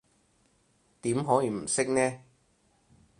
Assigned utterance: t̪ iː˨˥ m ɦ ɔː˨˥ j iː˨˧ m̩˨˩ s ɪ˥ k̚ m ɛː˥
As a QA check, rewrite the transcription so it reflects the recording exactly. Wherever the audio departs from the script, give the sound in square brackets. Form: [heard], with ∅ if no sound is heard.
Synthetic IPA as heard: t̪ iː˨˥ m ɦ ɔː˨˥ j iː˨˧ m̩˨˩ s ɪ˥ k̚ [n] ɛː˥